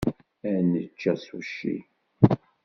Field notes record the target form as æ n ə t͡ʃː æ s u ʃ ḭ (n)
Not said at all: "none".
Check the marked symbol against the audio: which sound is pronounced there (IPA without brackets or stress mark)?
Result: none